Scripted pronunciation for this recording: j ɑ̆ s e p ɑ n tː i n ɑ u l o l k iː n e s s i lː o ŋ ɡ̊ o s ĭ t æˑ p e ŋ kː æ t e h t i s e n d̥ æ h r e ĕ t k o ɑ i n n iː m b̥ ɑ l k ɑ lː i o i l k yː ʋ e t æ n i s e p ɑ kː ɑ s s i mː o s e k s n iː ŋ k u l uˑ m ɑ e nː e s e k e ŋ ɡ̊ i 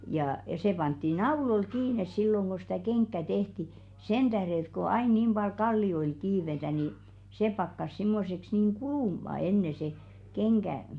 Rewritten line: j ɑ̆ s e p ɑ n tː i n ɑ u l o l k iː n e s s i lː o ŋ ɡ̊ o s ĭ t æˑ k e ŋ kː æ t e h t i s e n d̥ æ h r e ĕ t k o ɑ i n n iː m b̥ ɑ l k ɑ lː i o i l k iː ʋ e t æ n i s e p ɑ kː ɑ s s i mː o s e k s n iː ŋ k u l uˑ m ɑ e nː e s e k e ŋ ɡ̊ æ